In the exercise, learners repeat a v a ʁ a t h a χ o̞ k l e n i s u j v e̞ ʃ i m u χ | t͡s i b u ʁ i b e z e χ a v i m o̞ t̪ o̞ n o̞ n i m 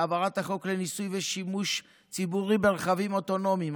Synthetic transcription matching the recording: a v a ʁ a t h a χ o̞ k l e n i s u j v e̞ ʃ i m u ʃ | t͡s i b u ʁ i b e ʁ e χ a v i m o̞ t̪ o̞ n o̞ m i m